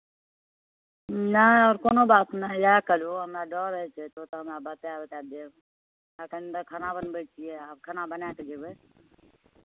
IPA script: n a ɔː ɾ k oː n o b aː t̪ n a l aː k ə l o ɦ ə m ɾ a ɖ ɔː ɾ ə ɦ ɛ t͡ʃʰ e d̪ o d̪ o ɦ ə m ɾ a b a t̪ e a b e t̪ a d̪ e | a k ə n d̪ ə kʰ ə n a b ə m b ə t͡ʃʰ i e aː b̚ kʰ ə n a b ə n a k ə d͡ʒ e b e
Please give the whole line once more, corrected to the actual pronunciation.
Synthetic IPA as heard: n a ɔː ɾ k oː n o b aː t̪ n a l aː k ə l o ɦ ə m ɾ a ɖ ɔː ɾ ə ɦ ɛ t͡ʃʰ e t̪ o t̪ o ɦ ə m ɾ a b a t̪ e a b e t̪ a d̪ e | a k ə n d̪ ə kʰ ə n a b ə n b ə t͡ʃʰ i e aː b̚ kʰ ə n a b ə n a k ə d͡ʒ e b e